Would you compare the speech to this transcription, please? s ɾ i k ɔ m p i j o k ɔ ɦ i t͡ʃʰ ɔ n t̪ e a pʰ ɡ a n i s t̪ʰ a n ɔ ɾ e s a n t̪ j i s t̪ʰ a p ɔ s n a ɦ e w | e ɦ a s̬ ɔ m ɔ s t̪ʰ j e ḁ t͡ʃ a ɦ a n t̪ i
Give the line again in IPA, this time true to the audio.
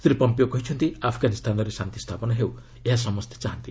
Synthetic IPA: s ɾ i p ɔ m p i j o k ɔ ɦ i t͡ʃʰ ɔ n t̪ i a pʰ ɡ a n i s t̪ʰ a n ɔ ɾ e s a n t̪ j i s t̪ʰ a p ɔ n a ɦ e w | e ɦ a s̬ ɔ m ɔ s t̪ʰ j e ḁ t͡ʃ a ɦ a n t̪ i